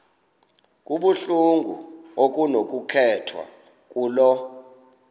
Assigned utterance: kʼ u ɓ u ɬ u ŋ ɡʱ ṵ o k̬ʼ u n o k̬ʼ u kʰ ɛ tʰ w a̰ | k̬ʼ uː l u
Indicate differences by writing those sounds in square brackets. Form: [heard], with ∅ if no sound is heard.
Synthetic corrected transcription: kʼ u ɓ u ɬ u ŋ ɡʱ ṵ o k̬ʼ u n o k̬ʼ u kʰ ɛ tʰ w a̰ | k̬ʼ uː l [ɔ]